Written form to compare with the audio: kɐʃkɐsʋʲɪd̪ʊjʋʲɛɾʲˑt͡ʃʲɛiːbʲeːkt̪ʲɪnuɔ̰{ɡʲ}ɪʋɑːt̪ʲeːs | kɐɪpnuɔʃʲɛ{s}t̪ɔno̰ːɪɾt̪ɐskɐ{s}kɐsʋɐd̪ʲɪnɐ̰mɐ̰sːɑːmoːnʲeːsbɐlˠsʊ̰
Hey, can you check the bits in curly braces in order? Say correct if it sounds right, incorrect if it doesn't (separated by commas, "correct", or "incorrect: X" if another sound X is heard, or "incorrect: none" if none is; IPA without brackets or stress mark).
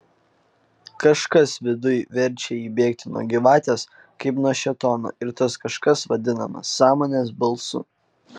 correct, incorrect: none, incorrect: ʃ